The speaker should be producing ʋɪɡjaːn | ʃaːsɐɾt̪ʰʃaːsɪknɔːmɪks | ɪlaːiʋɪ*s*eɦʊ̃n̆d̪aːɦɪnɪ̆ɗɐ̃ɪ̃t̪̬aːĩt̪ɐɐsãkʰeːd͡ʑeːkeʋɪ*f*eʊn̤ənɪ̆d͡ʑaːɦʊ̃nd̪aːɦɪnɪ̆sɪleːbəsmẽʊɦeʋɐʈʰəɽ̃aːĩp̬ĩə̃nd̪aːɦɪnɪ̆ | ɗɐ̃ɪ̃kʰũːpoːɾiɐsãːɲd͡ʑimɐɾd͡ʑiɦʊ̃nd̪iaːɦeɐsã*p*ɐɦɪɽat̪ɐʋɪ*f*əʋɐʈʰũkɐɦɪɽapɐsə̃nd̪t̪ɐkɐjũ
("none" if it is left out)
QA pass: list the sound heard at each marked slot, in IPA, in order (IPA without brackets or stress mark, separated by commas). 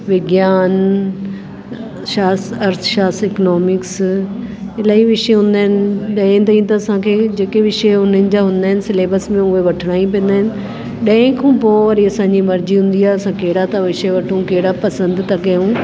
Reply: ʃ, ʃ, k, ʃ